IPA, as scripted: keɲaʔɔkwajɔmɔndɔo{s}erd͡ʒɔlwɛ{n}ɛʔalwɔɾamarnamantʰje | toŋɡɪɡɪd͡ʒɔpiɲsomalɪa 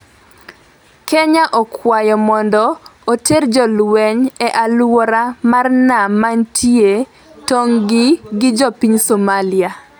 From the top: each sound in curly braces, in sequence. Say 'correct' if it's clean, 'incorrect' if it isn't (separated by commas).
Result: incorrect, incorrect